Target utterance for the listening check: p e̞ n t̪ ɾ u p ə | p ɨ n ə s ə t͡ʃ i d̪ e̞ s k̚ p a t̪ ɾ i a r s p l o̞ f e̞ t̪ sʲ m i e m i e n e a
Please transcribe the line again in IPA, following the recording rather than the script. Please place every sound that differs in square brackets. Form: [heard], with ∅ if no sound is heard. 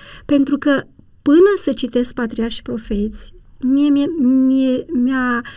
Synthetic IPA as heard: p e̞ n t̪ ɾ u [k] ə | p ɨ n ə s ə t͡ʃ i [t̪] e̞ s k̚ p a t̪ ɾ i a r [ʃ] p [ɾ] o̞ f e̞ t̪ sʲ m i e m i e [m] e a